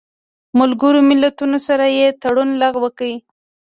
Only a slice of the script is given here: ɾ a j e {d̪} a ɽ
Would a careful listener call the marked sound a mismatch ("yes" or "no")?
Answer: yes